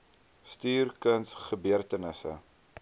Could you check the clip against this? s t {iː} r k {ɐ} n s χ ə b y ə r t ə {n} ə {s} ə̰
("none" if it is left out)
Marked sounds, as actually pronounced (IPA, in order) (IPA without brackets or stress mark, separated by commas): yː, ə, n, s